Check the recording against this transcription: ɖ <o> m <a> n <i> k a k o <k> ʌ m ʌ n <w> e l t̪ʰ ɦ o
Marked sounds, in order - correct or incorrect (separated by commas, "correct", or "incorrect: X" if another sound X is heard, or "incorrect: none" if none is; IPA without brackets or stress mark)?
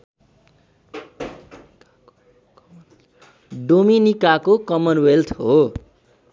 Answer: correct, incorrect: i, correct, correct, correct